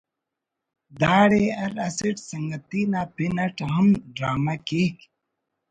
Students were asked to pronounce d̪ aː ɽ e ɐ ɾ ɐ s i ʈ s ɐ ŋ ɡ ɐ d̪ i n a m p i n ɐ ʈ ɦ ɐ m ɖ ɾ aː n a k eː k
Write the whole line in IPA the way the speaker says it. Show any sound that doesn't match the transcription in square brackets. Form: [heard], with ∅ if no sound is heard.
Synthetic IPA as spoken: d̪ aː ɽ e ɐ ɾ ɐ s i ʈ s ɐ ŋ ɡ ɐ [t̪] i n a [∅] p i n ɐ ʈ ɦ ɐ m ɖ ɾ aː [m] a k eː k